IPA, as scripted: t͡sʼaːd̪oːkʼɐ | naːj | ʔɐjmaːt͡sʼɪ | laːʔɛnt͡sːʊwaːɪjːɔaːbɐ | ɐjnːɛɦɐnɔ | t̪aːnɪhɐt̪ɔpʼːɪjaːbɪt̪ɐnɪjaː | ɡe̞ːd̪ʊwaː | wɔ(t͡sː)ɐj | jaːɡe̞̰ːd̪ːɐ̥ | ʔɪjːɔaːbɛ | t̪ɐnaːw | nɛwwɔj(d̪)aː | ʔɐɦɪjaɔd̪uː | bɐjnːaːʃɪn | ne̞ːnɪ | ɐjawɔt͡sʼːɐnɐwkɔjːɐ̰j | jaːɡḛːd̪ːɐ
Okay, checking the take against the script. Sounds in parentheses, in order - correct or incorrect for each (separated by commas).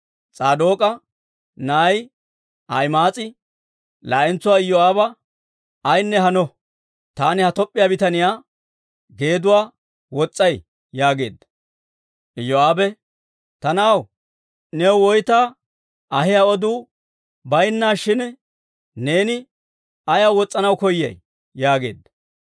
incorrect, incorrect